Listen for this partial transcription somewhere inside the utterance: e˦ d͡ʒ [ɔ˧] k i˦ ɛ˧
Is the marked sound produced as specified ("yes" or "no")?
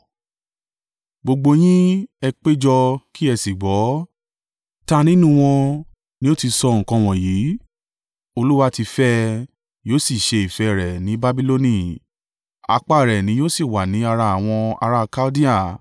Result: yes